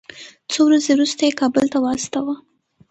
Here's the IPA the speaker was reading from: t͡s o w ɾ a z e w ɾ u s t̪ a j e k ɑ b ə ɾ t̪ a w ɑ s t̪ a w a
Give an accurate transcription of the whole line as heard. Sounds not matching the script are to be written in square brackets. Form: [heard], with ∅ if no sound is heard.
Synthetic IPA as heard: t͡s o w ɾ a z e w ɾ u s t̪ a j e k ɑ b ə [l] t̪ a w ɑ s t̪ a w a